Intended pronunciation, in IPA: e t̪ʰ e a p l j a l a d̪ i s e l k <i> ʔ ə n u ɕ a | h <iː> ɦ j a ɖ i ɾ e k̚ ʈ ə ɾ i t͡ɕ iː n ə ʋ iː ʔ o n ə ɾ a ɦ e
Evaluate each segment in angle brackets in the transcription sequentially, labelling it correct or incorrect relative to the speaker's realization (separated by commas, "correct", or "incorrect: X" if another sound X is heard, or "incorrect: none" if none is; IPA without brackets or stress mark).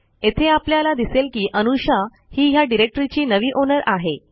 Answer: incorrect: iː, correct